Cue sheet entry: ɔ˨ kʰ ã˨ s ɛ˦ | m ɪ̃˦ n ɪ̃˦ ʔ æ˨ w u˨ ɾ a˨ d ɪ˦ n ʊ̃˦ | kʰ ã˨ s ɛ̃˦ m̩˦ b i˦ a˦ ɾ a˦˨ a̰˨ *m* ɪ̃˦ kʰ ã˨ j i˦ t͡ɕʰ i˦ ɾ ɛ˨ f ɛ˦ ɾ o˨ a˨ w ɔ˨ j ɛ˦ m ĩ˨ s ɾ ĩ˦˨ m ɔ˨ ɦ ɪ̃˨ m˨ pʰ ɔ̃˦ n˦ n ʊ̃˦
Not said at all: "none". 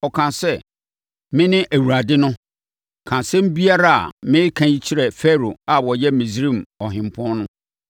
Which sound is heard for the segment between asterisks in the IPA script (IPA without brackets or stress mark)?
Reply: m